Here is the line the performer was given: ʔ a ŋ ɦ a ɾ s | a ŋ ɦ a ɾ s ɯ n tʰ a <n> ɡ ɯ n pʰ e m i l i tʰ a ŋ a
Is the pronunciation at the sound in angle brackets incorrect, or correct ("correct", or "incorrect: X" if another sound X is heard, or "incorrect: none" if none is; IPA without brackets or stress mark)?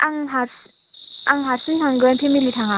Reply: incorrect: ŋ